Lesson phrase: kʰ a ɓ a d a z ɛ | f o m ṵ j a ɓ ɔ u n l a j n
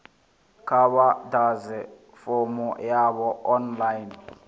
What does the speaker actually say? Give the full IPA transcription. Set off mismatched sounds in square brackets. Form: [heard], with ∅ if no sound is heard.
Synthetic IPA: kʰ a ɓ a d a z ɛ | f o m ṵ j a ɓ ɔ [ɔ] n l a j n